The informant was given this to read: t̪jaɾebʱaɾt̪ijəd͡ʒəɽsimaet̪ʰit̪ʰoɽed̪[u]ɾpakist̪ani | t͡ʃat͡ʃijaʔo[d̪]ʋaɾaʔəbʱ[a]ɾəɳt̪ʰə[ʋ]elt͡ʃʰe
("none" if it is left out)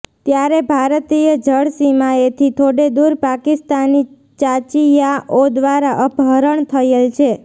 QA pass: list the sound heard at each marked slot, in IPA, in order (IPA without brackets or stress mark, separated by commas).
u, d̪, ə, none